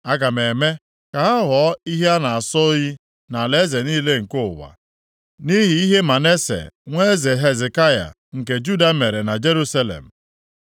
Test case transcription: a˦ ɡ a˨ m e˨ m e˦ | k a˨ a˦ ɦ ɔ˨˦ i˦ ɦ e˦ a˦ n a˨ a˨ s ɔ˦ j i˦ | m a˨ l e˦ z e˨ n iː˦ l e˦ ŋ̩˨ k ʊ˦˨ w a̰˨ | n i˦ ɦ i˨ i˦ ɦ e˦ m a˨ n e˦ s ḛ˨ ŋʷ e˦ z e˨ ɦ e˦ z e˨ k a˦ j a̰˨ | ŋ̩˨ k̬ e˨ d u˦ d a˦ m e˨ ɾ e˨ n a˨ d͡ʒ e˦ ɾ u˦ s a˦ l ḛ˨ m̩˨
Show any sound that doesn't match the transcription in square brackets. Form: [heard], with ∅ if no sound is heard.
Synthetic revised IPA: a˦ ɡ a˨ m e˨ m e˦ | k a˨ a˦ ɦ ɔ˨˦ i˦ ɦ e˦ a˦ n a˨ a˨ s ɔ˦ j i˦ | [n] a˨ l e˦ z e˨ n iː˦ l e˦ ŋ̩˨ k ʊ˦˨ w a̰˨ | n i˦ ɦ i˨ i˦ ɦ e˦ m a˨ n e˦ s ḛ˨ ŋʷ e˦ z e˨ ɦ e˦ z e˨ k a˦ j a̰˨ | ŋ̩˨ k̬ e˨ [d͡ʒ] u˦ d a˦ m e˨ ɾ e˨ n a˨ d͡ʒ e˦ ɾ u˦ s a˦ l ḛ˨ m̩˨

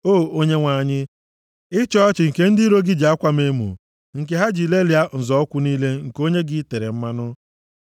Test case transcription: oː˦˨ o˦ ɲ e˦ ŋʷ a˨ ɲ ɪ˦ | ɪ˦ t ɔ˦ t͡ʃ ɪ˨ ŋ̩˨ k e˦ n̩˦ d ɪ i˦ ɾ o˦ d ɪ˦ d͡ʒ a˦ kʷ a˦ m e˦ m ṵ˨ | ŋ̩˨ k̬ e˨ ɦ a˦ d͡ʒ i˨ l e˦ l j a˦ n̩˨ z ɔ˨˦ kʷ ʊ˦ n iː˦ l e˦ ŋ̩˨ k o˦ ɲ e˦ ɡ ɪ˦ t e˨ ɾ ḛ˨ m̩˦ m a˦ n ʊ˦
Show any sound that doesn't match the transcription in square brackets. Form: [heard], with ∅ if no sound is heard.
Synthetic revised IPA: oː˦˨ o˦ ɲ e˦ ŋʷ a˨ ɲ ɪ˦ | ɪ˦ [t͡ʃ] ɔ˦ t͡ʃ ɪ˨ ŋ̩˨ k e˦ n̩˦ d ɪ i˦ ɾ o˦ [ɡ] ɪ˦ d͡ʒ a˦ kʷ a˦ m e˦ m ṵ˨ | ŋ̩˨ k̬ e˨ ɦ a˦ d͡ʒ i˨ l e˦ l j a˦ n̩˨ z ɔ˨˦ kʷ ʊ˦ n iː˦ l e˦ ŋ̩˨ k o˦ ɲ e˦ ɡ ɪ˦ t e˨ ɾ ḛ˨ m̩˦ m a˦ n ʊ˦

